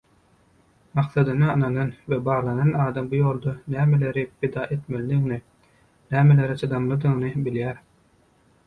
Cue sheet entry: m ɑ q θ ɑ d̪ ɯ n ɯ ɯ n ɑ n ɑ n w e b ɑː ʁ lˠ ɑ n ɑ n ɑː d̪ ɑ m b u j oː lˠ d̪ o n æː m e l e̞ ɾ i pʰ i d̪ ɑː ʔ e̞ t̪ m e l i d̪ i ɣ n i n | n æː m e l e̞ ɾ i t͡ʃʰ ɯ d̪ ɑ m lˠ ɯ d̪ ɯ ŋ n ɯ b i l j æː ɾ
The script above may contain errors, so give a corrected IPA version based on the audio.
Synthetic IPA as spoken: m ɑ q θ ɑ d̪ ɯ n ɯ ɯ n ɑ n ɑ n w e b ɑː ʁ lˠ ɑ n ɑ n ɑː d̪ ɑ m b u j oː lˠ d̪ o n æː m e l e̞ ɾ i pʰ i d̪ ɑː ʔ e̞ t̪ m e l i d̪ i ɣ n i | n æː m e l e̞ ɾ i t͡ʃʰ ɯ d̪ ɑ m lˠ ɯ d̪ ɯ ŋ n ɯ b i l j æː ɾ

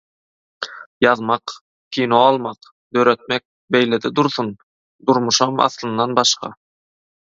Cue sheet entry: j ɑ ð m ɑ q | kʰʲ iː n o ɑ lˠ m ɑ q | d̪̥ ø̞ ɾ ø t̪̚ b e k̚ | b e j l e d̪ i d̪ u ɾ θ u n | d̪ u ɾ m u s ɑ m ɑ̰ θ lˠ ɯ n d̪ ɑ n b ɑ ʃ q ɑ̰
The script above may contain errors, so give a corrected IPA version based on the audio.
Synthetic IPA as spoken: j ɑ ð m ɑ q | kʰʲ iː n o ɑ lˠ m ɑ q | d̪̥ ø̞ ɾ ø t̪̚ m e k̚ | b e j l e d̪ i d̪ u ɾ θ u n | d̪ u ɾ m u ʃ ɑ m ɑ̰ θ lˠ ɯ n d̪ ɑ n b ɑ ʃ q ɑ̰

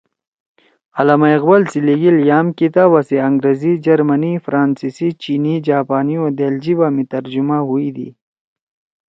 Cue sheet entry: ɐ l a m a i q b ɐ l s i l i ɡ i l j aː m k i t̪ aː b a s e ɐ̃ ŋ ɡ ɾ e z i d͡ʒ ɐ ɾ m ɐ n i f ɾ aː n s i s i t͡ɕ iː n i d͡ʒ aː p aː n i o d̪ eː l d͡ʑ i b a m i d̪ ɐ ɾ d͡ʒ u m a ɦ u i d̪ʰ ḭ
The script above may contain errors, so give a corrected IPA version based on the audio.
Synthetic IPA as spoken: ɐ l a m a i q b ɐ l s i l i ɡ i l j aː m k i t̪ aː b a s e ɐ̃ ŋ ɡ ɾ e z i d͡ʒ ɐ ɾ m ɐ n i f ɾ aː n s i s i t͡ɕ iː n i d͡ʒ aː p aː n i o d̪ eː l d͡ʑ i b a m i t̪ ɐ ɾ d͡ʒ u m a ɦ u i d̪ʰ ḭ

